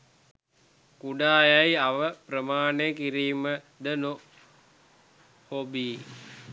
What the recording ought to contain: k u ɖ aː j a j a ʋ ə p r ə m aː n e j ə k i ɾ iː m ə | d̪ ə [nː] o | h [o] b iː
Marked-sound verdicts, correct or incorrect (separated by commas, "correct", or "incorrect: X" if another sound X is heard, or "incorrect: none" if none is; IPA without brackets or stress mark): incorrect: n, correct